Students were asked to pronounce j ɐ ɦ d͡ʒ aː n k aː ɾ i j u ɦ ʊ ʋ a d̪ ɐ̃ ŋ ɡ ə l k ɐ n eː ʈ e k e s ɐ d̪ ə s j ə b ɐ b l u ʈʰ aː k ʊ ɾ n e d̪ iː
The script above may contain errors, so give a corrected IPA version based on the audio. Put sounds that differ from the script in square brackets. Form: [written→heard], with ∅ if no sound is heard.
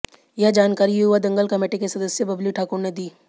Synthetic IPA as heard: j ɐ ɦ d͡ʒ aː n k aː ɾ i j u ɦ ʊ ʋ a d̪ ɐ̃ ŋ ɡ ə l k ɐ [n→m] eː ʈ e k e s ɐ d̪ ə s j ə b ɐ b l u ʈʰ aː k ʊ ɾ n e d̪ iː